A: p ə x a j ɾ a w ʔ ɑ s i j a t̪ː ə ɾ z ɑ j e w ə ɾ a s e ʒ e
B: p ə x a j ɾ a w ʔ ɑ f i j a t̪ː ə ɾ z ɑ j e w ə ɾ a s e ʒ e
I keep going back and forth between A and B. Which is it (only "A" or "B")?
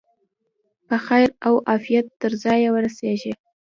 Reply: B